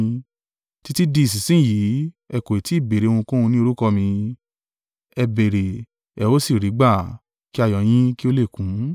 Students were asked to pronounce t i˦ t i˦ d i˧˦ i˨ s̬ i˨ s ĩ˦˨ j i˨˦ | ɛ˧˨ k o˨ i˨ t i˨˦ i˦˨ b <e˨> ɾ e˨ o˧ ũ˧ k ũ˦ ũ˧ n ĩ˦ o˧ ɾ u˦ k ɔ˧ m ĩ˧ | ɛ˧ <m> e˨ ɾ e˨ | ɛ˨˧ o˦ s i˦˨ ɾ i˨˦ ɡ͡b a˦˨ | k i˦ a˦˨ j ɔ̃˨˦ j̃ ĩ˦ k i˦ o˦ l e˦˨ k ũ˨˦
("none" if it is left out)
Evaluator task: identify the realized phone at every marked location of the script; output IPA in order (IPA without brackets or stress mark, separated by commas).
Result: e˨, b